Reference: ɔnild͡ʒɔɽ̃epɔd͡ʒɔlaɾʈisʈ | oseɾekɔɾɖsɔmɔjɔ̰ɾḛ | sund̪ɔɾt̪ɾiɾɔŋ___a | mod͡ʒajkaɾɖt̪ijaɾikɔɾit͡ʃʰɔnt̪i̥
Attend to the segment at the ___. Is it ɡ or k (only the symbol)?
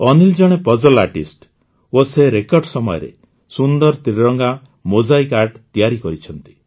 ɡ